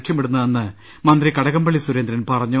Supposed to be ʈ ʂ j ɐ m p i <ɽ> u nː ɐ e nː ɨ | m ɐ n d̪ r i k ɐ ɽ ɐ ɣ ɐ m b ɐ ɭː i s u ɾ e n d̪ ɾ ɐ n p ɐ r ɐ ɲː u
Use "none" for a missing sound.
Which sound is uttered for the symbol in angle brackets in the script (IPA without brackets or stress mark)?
ɽ